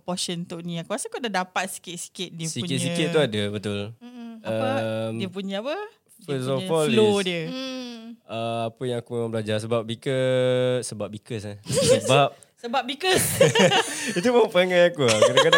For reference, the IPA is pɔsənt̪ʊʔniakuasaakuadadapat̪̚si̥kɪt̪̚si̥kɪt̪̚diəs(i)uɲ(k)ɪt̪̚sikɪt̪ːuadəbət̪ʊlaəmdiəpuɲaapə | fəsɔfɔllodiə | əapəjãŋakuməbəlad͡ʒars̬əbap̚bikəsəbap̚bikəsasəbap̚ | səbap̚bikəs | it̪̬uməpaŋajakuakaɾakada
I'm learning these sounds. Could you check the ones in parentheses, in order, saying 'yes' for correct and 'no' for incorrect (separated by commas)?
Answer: yes, yes